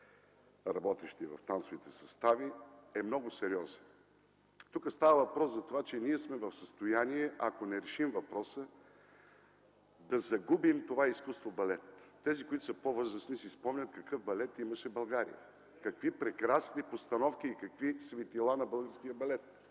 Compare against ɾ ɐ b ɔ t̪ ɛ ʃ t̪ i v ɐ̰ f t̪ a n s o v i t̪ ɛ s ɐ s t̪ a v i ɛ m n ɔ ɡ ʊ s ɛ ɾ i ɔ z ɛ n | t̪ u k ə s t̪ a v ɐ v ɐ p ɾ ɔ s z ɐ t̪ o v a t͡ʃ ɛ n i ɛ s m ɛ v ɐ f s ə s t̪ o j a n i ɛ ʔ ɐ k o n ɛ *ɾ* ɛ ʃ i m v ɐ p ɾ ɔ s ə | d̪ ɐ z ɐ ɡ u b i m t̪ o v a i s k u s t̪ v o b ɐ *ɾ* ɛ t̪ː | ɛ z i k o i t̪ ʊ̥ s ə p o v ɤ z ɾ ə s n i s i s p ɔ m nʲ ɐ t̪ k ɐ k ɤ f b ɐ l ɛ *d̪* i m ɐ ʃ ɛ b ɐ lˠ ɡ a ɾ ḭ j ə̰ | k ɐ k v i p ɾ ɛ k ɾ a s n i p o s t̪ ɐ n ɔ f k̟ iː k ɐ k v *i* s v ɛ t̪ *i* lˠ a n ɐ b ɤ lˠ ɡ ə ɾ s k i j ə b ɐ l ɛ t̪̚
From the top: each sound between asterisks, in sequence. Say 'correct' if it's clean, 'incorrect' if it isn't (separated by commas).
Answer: correct, incorrect, incorrect, correct, correct